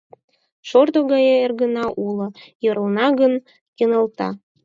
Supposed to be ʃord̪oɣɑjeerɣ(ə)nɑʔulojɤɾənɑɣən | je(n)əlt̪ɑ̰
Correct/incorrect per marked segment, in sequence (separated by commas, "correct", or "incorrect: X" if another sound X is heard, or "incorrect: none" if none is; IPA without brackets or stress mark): correct, correct